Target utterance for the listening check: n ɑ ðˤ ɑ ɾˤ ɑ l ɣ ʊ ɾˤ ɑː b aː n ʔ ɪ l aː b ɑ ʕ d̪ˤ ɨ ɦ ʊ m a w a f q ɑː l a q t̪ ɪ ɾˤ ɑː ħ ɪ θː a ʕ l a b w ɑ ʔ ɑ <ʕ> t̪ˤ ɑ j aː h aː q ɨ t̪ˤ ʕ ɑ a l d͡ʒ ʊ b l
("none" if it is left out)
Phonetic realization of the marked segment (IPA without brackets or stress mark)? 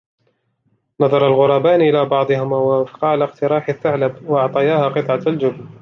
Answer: ʕ